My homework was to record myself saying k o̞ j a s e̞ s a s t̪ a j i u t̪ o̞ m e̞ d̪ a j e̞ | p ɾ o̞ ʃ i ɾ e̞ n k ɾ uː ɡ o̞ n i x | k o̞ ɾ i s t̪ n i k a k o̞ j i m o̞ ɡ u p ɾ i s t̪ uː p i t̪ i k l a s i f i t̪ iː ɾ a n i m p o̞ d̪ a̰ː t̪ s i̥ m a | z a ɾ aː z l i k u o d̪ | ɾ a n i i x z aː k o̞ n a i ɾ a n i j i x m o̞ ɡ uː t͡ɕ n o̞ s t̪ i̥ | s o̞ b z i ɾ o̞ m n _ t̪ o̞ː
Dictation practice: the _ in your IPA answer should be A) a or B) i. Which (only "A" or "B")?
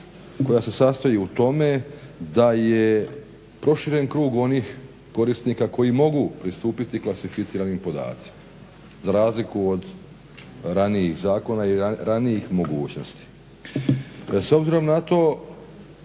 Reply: A